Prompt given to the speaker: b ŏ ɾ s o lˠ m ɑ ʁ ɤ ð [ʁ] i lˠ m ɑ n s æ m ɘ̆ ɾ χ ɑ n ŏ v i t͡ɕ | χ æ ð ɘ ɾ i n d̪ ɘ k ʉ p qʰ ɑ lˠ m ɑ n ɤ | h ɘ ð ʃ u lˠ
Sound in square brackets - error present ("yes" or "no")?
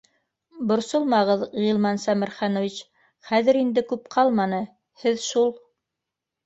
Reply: no